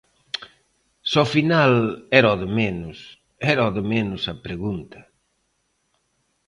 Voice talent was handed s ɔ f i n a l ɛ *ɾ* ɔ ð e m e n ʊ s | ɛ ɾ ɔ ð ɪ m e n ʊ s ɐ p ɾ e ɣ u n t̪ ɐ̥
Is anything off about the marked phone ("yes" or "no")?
no